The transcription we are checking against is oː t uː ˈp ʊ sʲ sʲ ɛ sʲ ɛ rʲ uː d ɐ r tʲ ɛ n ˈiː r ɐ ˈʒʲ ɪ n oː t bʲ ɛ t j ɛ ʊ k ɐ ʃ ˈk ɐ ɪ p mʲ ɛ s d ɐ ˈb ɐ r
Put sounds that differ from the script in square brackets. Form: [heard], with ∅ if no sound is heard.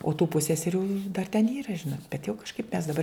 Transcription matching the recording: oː t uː ˈp ʊ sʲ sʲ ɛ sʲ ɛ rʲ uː d ɐ r tʲ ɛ n ˈiː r ɐ ˈʒʲ ɪ n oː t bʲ ɛ t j ɛ ʊ k ɐ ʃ ˈk ɐ ɪ p mʲ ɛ s d ɐ ˈb ɐ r